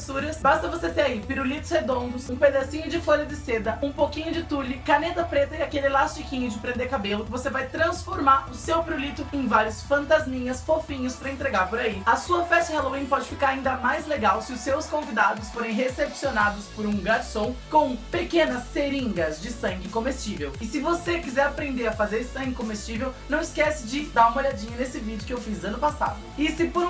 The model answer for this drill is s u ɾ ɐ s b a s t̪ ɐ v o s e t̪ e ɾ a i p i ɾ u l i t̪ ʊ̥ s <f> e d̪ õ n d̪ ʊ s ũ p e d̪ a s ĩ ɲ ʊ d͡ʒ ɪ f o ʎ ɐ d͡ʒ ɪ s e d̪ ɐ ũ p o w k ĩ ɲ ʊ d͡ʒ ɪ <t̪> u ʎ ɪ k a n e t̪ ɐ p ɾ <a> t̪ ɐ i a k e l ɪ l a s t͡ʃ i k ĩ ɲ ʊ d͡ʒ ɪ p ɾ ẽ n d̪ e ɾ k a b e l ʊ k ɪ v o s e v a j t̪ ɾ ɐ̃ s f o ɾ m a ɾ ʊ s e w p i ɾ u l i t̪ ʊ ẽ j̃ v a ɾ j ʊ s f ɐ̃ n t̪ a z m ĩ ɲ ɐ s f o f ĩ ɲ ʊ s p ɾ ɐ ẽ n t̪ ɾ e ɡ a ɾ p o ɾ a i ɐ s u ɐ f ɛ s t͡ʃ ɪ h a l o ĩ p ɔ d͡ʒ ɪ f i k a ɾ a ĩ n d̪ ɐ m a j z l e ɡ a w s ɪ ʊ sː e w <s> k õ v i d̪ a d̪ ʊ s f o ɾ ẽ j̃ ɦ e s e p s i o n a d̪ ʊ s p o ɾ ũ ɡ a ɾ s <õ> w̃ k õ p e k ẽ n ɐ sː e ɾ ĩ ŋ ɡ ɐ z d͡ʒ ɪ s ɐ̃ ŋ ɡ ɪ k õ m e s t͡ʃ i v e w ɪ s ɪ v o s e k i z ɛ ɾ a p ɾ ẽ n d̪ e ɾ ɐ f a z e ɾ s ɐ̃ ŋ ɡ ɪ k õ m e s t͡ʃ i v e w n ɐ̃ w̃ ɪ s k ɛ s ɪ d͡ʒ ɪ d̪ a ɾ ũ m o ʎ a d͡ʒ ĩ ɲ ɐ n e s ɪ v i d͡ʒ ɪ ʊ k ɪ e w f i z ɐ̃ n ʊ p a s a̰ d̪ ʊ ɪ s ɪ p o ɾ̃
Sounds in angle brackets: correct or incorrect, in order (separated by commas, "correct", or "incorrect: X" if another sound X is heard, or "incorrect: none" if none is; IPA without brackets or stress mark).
incorrect: h, correct, incorrect: e, correct, correct